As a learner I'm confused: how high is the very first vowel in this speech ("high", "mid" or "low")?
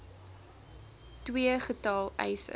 high